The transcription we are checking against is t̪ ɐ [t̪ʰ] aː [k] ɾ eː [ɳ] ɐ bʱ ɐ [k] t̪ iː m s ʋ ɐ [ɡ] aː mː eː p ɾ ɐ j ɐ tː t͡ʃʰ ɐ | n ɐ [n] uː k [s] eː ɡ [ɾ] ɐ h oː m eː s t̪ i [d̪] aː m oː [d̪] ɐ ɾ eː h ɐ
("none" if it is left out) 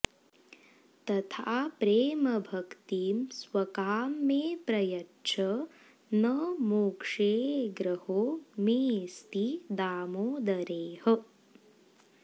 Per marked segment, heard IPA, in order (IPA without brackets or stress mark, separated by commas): t̪ʰ, p, m, k, k, m, ʂ, ɾ, d̪, d̪